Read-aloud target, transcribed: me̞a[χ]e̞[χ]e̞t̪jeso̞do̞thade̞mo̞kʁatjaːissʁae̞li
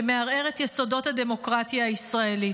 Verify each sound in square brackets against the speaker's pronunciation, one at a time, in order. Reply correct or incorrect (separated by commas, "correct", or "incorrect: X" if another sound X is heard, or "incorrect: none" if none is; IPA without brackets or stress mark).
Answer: incorrect: ʁ, incorrect: ʁ